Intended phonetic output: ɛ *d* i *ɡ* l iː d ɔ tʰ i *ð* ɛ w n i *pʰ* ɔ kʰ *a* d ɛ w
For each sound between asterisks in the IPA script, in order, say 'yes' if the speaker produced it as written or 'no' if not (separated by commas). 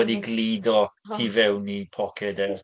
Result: yes, yes, no, yes, no